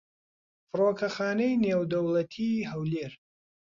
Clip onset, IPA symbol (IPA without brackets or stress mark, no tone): f